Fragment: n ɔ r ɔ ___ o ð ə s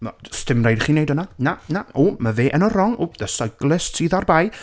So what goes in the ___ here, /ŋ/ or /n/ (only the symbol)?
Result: ŋ